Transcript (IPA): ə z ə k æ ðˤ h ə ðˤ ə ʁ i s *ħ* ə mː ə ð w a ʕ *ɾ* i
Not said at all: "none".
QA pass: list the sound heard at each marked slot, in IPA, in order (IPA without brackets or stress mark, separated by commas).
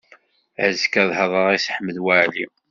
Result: ħ, l